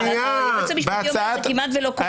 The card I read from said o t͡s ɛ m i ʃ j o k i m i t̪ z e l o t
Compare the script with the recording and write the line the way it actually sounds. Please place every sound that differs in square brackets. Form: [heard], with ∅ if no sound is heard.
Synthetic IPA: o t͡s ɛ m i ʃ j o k i m [a] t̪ [v] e l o [k]